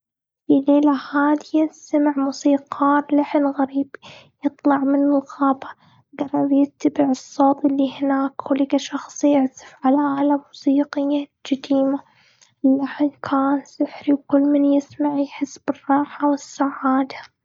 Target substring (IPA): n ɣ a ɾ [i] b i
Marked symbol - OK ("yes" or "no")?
no